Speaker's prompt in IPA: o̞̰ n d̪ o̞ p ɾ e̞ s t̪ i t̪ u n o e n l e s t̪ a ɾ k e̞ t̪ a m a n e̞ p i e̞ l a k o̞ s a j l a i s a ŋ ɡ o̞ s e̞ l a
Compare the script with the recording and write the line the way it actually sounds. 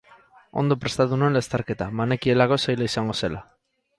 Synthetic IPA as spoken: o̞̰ n d̪ o̞ p ɾ e̞ s t̪ a t̪ u n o e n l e s t̪ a ɾ k e̞ t̪ a m a n e̞ k i e̞ l a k o̞ s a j l a i s a ŋ ɡ o̞ s e̞ l a